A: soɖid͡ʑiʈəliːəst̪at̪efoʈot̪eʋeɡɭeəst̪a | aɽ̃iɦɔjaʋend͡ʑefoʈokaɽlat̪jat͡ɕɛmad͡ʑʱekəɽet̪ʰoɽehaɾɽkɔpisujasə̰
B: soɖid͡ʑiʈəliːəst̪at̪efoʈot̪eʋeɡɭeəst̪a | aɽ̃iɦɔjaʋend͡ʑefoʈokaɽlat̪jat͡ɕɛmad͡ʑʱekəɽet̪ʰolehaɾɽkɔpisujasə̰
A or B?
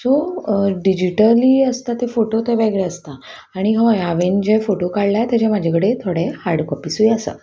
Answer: A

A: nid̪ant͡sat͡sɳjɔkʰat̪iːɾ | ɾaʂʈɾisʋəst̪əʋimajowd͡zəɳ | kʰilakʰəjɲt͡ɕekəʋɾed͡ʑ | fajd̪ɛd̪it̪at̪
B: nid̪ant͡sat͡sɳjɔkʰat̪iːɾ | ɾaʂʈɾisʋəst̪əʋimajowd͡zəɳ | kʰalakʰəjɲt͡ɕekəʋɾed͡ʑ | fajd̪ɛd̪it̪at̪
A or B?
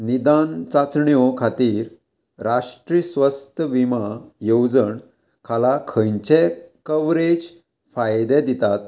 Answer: B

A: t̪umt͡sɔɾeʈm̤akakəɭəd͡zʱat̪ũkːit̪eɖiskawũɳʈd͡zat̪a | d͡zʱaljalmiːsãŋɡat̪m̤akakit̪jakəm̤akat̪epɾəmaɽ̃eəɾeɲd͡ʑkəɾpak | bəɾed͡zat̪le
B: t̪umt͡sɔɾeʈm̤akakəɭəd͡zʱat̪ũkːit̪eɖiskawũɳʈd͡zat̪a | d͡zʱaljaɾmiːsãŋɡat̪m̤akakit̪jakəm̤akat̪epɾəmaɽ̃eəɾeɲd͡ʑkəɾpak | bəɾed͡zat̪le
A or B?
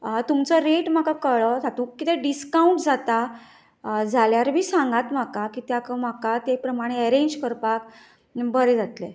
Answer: B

